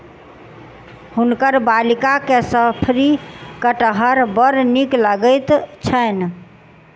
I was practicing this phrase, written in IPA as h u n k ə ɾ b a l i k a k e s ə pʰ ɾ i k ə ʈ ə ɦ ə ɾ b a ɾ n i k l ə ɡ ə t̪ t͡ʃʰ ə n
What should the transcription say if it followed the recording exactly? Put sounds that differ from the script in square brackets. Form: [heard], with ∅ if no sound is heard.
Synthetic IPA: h u n k ə ɾ b a l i k a k e s ə pʰ ɾ i k ə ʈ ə ɦ ə ɾ b [ə] ɾ n i k l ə ɡ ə t̪ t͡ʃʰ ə n